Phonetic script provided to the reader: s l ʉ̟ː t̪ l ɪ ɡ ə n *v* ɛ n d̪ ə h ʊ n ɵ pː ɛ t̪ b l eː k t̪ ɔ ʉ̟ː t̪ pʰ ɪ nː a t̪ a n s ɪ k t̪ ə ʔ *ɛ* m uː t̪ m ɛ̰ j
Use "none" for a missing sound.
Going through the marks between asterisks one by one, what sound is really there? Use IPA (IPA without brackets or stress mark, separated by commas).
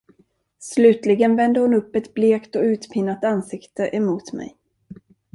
v, ɛ